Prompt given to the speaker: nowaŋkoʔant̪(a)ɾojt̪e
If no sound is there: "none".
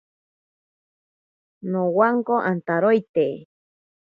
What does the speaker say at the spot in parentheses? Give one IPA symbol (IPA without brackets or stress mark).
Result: a